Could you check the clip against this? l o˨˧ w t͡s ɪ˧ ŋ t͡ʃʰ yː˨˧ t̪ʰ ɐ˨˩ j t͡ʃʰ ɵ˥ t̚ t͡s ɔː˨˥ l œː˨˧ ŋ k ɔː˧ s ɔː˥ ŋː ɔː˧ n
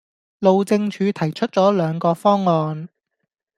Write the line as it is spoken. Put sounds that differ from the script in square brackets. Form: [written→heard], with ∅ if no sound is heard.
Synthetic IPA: l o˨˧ w t͡s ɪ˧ ŋ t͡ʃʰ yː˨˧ t̪ʰ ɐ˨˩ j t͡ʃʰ ɵ˥ t̚ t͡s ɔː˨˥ l œː˨˧ ŋ k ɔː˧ [s→f] ɔː˥ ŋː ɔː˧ n